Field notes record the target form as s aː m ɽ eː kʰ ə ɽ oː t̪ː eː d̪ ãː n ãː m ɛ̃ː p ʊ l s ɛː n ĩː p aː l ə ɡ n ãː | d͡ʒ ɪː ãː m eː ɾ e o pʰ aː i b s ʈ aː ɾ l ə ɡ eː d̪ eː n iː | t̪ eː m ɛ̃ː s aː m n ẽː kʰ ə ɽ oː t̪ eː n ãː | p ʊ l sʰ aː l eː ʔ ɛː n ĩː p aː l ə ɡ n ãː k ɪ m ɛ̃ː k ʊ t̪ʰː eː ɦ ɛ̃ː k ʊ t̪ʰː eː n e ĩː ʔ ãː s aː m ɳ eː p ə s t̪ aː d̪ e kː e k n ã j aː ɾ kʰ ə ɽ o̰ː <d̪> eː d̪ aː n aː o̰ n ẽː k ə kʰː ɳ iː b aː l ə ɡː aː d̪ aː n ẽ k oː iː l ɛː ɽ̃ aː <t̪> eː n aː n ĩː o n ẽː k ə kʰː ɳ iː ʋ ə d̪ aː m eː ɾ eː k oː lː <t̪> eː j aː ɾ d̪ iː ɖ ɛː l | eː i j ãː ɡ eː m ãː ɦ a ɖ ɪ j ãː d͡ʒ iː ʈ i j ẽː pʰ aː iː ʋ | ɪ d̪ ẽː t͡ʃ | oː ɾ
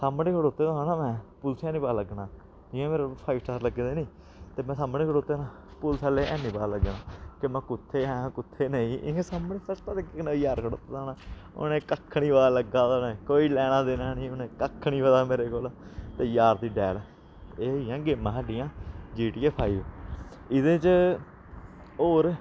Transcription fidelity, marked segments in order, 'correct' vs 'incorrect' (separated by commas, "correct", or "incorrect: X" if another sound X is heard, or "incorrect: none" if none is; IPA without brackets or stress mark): incorrect: t̪, incorrect: d̪, correct